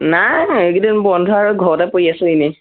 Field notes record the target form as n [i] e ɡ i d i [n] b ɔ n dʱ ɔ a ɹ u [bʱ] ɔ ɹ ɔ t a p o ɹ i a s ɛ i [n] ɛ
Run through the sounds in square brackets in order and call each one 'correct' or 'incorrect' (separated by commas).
incorrect, correct, incorrect, correct